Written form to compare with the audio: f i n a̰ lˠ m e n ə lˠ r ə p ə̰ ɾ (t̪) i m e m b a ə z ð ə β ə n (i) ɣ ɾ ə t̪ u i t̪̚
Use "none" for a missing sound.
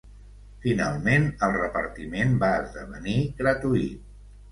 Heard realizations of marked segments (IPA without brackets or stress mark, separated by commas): t̪, i